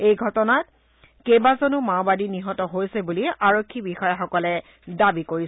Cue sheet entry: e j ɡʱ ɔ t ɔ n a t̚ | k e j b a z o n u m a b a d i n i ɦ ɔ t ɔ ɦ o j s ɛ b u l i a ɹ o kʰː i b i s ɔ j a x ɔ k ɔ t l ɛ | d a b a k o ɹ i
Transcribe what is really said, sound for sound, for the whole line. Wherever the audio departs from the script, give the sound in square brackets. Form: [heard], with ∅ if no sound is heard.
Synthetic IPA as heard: e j ɡʱ ɔ t ɔ n a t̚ | k e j b a z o n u m a b a d i n i ɦ ɔ t ɔ ɦ o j s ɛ b u l i a ɹ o kʰː i b i [x] ɔ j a x ɔ k ɔ [∅] l ɛ | d a b [i] k o ɹ i